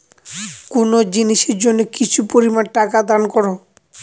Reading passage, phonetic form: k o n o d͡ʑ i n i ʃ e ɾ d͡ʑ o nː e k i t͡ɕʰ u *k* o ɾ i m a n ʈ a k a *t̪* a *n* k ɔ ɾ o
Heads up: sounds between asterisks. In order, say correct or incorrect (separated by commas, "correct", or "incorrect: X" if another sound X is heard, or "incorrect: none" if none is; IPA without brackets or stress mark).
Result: incorrect: p, incorrect: d̪, correct